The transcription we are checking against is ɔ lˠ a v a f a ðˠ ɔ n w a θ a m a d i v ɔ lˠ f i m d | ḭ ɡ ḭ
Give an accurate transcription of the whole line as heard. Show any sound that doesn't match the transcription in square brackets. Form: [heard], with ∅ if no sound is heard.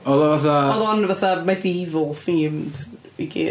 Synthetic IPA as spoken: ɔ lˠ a v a [θ] a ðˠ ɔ n [v] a θ a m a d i v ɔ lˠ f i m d | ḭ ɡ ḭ